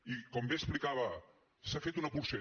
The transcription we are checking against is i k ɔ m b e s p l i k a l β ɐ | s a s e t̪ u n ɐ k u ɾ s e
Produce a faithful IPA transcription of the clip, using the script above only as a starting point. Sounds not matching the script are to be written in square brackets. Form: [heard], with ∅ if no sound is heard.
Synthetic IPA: i k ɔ m b e s p l i k a [∅] β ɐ | s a [f] e t̪ u n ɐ [p] u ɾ s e